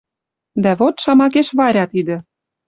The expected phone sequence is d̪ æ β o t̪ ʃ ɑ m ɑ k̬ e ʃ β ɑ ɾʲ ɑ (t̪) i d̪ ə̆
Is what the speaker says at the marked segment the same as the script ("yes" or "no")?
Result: yes